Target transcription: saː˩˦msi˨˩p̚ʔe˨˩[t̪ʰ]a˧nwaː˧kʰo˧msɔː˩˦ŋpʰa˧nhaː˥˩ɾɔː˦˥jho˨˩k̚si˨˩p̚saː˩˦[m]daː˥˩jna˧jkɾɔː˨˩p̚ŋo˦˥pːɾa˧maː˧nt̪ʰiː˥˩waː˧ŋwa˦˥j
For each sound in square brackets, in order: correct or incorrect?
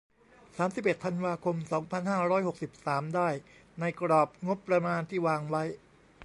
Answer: correct, correct

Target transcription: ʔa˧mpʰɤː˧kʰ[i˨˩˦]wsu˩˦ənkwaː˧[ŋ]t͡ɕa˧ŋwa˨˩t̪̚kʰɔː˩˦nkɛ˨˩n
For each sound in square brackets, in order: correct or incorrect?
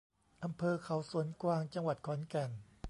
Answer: incorrect: a˨˩˦, correct

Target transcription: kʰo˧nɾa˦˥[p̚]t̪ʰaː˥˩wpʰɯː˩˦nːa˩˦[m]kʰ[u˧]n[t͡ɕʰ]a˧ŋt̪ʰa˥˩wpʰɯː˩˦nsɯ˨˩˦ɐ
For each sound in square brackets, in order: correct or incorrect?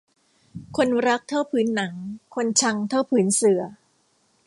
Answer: incorrect: k̚, incorrect: ŋ, incorrect: o˧, correct

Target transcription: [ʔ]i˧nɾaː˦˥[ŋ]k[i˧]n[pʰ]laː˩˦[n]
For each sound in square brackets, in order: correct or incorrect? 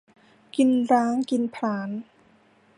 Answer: incorrect: k, correct, correct, correct, correct

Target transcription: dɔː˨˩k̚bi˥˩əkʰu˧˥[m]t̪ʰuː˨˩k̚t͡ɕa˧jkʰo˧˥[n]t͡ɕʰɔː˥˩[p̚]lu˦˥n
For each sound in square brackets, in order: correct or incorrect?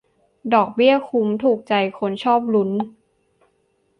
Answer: correct, correct, correct

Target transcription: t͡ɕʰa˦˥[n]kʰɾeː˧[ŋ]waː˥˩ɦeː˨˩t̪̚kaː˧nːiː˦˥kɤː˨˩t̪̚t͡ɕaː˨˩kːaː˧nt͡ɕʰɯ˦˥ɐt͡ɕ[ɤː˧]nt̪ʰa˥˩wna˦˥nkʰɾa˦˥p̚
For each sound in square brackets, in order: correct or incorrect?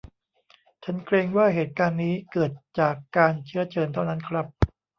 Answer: correct, correct, correct

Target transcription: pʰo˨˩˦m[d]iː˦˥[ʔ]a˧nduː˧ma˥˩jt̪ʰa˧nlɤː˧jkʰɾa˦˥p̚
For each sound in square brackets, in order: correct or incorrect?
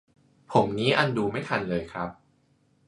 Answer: incorrect: n, correct

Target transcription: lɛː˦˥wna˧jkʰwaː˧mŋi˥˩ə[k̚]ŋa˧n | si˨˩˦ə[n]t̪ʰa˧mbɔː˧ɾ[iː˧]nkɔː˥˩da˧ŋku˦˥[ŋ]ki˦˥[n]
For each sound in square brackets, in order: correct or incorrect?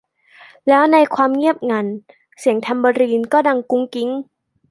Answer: incorrect: p̚, incorrect: ŋ, correct, correct, incorrect: ŋ

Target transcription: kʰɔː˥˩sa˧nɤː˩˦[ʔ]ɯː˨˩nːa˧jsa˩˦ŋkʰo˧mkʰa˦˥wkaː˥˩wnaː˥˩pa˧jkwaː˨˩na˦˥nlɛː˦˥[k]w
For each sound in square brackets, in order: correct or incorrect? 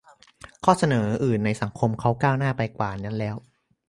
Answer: correct, incorrect: none

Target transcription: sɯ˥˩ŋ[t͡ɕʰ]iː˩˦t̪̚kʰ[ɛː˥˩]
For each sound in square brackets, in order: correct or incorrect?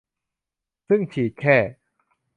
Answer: correct, correct

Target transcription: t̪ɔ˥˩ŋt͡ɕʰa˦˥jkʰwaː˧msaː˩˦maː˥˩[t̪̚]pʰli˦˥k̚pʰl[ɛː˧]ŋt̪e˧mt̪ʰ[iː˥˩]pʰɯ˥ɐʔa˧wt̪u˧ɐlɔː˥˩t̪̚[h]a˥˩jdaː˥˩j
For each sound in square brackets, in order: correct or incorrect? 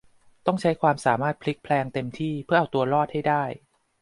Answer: correct, correct, correct, correct

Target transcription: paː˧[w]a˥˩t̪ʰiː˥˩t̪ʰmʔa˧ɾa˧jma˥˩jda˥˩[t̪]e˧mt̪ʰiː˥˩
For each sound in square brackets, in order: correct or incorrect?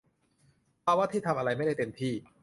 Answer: correct, correct

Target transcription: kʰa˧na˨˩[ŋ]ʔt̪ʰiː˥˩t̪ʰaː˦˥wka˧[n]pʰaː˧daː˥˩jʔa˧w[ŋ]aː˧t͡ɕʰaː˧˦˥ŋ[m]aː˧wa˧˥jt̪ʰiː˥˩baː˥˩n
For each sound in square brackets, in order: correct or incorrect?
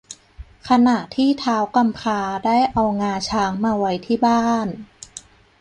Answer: incorrect: none, incorrect: m, correct, correct

